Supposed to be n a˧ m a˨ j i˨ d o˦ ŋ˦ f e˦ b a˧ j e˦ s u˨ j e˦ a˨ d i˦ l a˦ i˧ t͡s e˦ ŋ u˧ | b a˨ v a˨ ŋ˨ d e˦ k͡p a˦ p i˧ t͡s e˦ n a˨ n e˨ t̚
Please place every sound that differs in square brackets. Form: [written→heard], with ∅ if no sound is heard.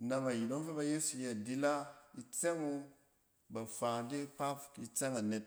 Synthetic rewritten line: n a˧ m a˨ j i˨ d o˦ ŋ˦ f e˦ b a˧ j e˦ s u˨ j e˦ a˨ d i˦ l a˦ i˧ t͡s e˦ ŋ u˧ | b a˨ [v→f] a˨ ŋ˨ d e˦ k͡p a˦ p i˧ t͡s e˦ [n→ŋ] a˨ n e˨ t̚